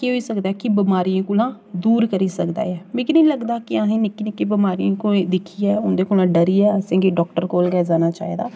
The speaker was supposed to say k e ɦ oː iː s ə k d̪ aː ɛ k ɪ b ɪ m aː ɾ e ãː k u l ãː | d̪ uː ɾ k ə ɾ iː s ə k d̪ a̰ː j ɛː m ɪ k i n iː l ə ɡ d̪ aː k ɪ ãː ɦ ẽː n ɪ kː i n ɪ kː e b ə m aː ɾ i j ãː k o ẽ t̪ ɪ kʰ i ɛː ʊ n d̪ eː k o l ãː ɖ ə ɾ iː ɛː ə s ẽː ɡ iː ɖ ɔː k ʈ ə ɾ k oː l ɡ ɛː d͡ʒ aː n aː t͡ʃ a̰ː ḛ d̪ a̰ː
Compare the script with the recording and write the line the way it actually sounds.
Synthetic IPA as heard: k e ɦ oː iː s ə k d̪ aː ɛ k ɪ b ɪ m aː ɾ i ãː k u l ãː | d̪ uː ɾ k ə ɾ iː s ə k d̪ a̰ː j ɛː m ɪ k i n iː l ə ɡ d̪ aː k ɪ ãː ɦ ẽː n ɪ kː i n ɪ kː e b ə m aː ɾ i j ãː k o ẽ d̪ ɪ kʰ i ɛː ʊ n d̪ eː k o l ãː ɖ ə ɾ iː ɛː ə s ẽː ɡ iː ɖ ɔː k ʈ ə ɾ k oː l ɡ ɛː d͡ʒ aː n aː t͡ʃ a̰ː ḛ d̪ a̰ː